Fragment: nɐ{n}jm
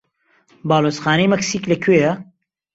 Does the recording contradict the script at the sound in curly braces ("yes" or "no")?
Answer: yes